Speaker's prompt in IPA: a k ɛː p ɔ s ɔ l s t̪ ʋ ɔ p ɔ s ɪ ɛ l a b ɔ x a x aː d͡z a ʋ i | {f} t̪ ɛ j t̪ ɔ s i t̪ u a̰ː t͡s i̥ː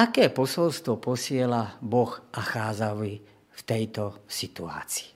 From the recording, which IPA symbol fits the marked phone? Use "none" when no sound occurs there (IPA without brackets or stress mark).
f